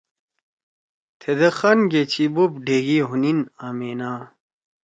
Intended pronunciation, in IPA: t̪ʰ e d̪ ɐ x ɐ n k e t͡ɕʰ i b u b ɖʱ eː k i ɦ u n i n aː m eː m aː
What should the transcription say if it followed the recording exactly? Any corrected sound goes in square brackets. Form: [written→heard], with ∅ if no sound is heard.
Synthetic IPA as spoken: t̪ʰ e d̪ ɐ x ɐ n [k→ɡ] e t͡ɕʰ i b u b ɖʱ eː [k→ɡ] i ɦ u n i n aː m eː [m→n] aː